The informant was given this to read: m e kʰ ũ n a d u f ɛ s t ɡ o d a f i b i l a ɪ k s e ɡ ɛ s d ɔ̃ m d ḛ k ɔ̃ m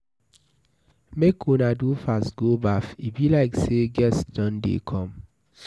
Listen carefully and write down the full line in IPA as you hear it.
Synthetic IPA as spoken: m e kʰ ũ n a d u f a s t ɡ o b a f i b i l a ɪ k s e ɡ ɛ s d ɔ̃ n d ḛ kʰ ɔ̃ m

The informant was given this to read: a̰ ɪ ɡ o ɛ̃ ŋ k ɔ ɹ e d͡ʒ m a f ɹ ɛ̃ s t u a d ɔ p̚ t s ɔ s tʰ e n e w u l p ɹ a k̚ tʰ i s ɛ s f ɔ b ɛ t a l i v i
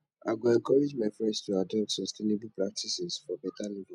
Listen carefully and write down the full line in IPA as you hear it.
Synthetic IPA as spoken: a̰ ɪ ɡ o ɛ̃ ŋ k ɔ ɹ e d͡ʒ m a f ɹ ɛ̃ s t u a d ɔ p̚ t s ɔ s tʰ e n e b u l p ɹ a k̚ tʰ i s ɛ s f ɔ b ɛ t a l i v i

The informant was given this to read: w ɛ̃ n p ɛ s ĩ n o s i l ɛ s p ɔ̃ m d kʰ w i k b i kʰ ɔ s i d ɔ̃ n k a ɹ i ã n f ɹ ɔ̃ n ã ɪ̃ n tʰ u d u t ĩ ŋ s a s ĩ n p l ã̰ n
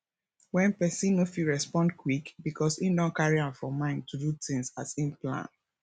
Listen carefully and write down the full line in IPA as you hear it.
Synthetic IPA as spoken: w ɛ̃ n p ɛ s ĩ n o f i ɹ ɛ s p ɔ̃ n d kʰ w i k b i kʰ ɔ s i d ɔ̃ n k a ɹ i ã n f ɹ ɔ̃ m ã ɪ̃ n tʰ u d u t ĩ ŋ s a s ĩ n p l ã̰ n

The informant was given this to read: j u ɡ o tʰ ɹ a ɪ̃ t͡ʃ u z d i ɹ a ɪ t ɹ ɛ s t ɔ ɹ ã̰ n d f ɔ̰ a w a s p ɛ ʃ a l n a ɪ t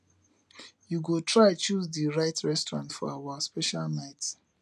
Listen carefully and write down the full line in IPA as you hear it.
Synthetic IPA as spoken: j u ɡ o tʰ ɹ a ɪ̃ t͡ʃ u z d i ɹ a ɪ t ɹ ɛ s t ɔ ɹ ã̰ n t f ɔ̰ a w a s p ɛ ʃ a l n a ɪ t

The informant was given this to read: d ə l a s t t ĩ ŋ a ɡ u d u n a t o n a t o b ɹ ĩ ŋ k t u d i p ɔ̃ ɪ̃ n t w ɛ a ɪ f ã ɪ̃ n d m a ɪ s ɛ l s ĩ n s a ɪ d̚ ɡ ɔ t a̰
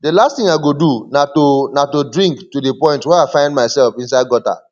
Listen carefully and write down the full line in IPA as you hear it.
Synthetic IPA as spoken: d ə l a s t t ĩ ŋ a ɡ o d u n a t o n a t o d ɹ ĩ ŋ k t u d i p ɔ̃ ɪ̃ n t w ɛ a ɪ f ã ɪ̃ n d m a ɪ s ɛ l f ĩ n s a ɪ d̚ ɡ ɔ t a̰

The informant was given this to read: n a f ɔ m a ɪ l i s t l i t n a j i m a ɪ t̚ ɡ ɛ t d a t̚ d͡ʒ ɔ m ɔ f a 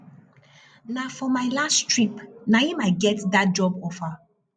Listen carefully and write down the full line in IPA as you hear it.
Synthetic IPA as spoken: n a f ɔ m a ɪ l a s t ɹ i p n a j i m a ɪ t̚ ɡ ɛ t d a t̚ d͡ʒ ɔ b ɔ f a

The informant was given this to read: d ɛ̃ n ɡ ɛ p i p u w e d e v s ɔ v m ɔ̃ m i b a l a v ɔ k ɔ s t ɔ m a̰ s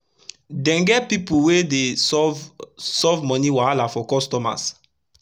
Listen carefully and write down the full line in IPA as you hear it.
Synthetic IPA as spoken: d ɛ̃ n ɡ ɛ p i p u w e d e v s ɔ v m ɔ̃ n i w a l a f ɔ k ɔ s t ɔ m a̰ s

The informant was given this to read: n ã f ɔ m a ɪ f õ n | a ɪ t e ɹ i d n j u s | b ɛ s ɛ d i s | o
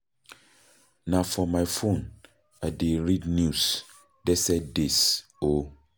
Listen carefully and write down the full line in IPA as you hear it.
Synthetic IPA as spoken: n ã f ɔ m a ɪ f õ n | a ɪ d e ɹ i d n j u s | d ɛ s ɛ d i s | o

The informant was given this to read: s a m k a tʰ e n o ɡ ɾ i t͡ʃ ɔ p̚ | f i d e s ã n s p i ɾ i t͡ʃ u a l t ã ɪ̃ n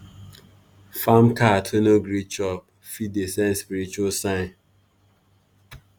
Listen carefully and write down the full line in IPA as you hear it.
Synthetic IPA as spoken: f a m k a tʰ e n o ɡ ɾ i t͡ʃ ɔ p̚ | f i d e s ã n s p i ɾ i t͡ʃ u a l s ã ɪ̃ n

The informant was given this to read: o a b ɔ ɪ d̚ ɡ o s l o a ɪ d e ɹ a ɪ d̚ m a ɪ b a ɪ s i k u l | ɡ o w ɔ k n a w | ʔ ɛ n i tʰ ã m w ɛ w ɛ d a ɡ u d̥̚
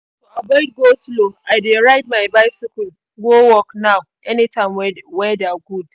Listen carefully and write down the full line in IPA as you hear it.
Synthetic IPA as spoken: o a b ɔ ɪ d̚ ɡ o s l o a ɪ d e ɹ a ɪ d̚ m a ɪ b a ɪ s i k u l | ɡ o w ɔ k n a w | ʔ ɛ n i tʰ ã m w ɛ w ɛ d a ɡ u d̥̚

